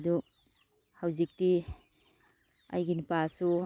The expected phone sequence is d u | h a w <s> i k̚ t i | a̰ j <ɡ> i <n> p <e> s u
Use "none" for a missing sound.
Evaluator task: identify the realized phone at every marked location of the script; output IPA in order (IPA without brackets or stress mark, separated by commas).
z, ɡ, n, a